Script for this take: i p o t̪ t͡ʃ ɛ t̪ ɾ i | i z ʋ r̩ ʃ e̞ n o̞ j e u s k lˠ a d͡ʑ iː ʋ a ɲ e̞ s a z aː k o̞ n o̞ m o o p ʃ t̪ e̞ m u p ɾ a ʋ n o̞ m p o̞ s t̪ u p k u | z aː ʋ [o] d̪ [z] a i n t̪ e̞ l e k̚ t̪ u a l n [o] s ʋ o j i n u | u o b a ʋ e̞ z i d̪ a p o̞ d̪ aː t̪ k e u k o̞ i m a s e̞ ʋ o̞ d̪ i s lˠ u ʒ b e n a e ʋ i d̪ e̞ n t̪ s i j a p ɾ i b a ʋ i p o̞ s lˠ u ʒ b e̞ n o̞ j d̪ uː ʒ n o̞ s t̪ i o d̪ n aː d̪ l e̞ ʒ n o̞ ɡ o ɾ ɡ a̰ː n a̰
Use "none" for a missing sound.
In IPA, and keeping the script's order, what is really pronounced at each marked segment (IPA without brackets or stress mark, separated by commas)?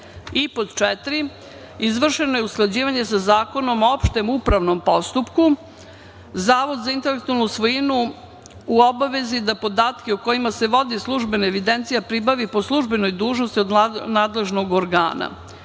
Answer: o, z, u